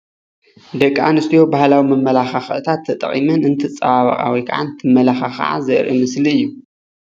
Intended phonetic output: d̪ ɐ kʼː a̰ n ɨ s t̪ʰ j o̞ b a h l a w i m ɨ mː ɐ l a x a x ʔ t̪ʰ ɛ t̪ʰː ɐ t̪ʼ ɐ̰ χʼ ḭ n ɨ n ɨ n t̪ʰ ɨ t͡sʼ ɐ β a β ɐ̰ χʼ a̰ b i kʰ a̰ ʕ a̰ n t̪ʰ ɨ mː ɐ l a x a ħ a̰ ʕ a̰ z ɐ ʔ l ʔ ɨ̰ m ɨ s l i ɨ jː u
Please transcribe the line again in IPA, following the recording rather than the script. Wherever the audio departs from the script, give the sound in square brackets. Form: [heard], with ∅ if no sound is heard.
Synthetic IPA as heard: d̪ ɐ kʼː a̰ n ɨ s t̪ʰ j o̞ b a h l a w i m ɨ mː ɐ l a x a x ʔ t̪ʰ [a] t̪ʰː ɐ t̪ʼ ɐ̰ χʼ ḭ [m] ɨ n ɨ n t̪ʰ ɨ t͡sʼ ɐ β a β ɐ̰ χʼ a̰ [w] i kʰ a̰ ʕ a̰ n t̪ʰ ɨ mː ɐ l a x a [x] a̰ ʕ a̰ z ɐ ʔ [ɾ] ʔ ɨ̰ m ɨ s l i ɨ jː u